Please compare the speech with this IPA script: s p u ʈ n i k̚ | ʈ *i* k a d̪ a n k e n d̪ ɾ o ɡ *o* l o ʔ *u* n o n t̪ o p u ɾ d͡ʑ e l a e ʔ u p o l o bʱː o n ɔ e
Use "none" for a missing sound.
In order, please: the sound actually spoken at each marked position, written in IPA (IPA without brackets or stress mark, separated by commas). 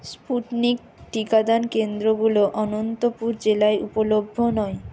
i, u, ɔ